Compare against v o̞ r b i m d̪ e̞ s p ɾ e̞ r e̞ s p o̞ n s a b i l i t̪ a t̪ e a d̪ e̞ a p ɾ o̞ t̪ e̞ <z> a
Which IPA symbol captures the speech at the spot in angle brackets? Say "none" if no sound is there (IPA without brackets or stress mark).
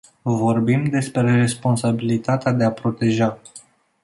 ʒ